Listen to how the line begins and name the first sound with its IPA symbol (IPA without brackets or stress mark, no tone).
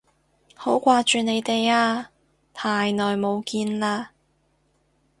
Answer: h